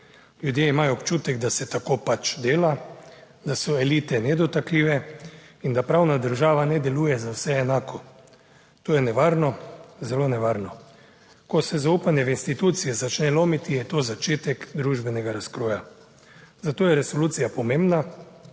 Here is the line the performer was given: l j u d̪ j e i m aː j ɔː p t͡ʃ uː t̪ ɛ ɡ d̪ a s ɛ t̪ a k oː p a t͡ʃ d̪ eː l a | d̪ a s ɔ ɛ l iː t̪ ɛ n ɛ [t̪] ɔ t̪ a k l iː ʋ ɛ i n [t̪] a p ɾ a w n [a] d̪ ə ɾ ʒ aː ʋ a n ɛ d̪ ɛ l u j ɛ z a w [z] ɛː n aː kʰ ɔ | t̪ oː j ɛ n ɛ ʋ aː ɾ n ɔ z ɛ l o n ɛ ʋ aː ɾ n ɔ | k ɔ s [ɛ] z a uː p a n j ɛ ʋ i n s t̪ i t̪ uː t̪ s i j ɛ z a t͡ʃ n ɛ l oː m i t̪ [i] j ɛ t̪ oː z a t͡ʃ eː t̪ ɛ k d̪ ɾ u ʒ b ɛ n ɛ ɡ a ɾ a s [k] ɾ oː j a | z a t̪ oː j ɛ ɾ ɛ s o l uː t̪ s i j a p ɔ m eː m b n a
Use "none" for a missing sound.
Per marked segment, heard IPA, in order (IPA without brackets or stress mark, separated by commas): d̪, d̪, a, s, ɛ, i, k